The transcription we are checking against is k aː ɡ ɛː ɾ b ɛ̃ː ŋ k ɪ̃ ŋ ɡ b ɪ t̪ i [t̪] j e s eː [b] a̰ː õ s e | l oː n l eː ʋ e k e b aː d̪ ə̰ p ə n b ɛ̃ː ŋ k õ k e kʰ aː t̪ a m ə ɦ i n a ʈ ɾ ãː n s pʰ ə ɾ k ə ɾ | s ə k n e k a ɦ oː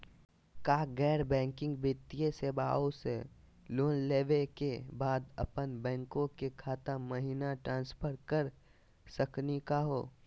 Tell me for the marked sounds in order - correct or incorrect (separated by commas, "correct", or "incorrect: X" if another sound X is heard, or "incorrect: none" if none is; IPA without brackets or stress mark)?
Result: incorrect: none, correct